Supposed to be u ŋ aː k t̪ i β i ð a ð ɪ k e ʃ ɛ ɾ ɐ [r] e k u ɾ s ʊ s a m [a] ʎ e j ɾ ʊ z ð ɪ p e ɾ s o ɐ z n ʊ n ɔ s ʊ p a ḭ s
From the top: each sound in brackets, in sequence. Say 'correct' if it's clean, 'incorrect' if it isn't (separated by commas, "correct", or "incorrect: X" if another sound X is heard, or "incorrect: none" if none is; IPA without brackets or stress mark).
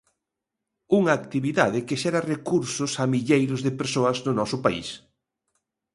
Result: correct, incorrect: i